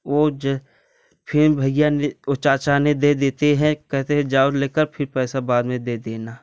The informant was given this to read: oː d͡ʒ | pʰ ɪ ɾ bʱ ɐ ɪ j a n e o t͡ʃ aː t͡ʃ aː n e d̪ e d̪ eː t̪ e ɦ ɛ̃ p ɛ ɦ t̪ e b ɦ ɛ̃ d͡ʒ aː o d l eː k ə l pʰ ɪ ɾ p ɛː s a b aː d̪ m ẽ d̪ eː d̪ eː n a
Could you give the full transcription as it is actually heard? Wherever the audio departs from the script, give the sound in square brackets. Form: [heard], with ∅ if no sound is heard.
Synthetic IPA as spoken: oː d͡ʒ | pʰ ɪ ɾ bʱ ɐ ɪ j a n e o t͡ʃ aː t͡ʃ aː n e d̪ e d̪ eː t̪ e ɦ ɛ̃ [k] ɛ ɦ t̪ e [∅] ɦ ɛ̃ d͡ʒ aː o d l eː k ə [ɾ] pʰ ɪ ɾ p ɛː s a b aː d̪ m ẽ d̪ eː d̪ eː n a